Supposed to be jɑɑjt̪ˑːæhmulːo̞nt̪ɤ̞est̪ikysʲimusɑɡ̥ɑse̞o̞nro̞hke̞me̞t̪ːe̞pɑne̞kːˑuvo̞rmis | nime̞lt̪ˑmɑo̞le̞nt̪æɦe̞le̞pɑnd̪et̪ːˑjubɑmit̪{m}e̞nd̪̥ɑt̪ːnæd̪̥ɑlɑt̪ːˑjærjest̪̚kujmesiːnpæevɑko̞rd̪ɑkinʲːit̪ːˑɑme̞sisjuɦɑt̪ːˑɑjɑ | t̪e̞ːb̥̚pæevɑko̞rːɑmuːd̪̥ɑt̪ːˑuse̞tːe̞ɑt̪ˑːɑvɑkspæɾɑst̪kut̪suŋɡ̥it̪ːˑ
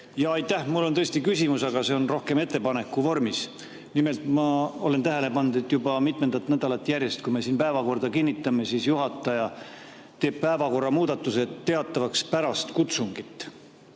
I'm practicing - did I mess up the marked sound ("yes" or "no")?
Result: no